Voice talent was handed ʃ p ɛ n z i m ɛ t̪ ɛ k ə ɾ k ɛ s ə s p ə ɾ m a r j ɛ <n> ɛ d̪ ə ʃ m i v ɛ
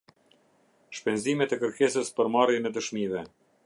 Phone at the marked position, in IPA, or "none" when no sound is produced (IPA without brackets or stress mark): n